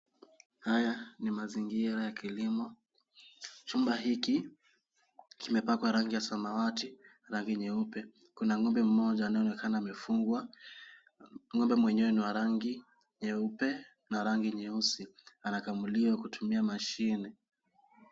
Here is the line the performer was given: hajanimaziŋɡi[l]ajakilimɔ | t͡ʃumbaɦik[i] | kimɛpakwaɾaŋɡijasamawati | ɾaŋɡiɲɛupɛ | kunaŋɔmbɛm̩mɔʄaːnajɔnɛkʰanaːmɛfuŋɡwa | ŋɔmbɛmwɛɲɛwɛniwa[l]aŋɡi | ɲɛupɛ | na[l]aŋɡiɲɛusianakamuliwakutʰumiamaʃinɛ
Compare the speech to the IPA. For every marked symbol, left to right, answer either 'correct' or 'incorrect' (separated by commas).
incorrect, correct, incorrect, incorrect